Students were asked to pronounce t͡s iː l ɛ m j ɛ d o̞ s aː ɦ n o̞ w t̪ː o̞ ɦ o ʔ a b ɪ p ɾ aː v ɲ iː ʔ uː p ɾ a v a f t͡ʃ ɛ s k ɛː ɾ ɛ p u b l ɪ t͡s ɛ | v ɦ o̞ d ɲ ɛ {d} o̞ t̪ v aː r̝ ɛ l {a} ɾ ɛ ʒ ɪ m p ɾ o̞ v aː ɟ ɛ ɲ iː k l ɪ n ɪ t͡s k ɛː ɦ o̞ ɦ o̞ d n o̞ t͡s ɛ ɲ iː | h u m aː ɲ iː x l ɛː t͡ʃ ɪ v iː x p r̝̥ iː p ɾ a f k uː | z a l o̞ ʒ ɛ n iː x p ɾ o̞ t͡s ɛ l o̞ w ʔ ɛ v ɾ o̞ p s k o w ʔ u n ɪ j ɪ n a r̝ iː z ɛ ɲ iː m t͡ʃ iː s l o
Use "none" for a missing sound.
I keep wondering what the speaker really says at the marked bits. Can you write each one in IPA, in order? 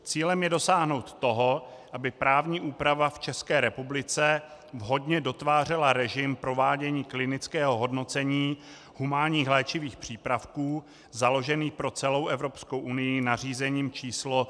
d, a

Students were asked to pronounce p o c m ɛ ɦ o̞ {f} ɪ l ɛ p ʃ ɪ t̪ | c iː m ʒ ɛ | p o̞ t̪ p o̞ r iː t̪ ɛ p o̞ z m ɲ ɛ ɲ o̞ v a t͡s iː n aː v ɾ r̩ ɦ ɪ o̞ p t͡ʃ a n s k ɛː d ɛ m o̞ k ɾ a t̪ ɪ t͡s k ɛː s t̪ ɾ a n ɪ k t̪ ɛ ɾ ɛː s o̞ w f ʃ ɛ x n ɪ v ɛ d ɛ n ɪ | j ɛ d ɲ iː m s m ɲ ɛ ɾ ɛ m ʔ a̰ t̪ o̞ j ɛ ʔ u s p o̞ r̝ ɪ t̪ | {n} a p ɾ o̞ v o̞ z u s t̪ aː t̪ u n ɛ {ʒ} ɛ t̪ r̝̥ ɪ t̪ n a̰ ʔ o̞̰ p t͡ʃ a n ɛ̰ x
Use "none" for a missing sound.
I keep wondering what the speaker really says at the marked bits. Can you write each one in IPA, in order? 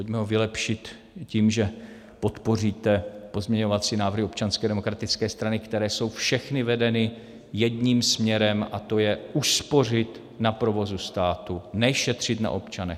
v, n, ʃ

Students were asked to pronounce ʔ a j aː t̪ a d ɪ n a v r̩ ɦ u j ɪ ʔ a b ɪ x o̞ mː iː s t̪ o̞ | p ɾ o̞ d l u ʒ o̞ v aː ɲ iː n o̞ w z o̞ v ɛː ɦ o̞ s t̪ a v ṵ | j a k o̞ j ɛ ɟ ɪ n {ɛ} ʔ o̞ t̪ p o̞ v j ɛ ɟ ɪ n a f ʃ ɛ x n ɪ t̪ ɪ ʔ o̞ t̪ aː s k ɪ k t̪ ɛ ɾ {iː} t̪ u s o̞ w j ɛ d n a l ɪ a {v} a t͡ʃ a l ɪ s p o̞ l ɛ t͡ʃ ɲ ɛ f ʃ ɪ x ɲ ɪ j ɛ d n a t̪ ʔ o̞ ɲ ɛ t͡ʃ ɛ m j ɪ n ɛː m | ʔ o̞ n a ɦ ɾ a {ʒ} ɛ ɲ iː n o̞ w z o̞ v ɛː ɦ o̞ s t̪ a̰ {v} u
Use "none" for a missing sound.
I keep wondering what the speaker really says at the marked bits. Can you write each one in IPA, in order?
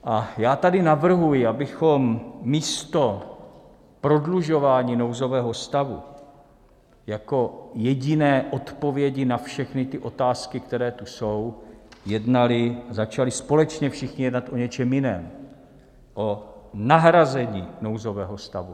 ɛː, ɛː, z, z, v

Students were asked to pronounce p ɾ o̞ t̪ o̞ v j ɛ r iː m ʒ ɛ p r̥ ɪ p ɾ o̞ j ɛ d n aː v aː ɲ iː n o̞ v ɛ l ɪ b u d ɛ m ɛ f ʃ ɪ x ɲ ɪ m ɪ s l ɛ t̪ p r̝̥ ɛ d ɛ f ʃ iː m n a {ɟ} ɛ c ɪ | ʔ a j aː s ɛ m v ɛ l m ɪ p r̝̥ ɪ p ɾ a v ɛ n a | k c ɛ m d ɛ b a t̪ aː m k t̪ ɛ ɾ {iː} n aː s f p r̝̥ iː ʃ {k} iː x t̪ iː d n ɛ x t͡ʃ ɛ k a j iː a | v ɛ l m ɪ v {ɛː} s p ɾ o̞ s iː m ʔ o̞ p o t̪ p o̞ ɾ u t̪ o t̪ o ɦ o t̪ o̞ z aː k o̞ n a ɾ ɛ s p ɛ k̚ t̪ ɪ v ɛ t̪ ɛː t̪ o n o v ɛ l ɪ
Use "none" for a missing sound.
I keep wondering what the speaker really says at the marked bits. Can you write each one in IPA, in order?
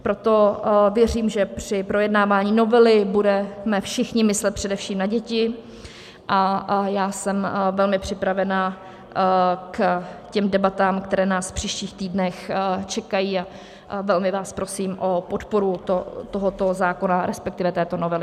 ɟ, ɛː, c, aː

